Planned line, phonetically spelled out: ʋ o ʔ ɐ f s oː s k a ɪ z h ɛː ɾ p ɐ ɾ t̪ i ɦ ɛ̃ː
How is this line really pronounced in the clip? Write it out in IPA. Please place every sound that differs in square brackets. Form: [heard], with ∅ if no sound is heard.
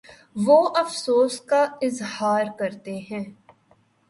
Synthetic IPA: ʋ o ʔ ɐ f s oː s k a ɪ z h [aː] ɾ [k] ɐ ɾ t̪ [e] ɦ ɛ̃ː